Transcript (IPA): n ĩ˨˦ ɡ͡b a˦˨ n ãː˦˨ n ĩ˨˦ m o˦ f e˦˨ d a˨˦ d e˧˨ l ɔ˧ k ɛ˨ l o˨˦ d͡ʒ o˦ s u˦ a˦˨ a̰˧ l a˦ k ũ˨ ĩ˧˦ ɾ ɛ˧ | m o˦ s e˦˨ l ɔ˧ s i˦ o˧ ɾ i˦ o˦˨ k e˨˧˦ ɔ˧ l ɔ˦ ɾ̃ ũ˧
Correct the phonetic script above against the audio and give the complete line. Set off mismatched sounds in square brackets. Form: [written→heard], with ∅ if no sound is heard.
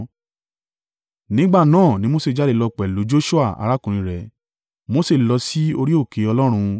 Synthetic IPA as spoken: n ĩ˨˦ ɡ͡b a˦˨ n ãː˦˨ n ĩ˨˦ m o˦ [f→s] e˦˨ [d→d͡ʒ] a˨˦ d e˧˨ l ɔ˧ [k→k͡p] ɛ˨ l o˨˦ d͡ʒ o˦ [s→ʃ] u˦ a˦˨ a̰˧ [l→ɾ] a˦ k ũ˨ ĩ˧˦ ɾ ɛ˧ | m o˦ s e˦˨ l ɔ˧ s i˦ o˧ ɾ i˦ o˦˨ k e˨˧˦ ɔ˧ l ɔ˦ ɾ̃ ũ˧